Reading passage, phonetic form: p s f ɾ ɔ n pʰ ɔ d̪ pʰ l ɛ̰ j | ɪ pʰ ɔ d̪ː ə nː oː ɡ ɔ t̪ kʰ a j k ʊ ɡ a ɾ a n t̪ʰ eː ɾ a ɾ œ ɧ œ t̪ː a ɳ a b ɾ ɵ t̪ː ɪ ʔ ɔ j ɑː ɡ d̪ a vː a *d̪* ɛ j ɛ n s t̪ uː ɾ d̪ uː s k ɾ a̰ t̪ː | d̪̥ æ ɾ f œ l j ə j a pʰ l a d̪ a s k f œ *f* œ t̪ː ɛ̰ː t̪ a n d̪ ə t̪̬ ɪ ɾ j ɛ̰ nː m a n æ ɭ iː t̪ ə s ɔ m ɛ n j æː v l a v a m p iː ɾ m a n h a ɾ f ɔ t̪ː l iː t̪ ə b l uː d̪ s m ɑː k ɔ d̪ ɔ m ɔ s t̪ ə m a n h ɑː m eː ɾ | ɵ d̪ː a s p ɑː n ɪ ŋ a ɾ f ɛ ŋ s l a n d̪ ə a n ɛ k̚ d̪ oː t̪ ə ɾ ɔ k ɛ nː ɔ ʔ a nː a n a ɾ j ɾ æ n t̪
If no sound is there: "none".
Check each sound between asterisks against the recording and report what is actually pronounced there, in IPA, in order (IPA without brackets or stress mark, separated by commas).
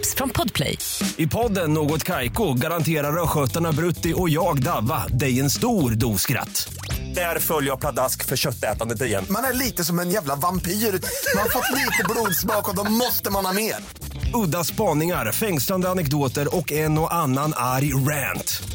d̪, ɕ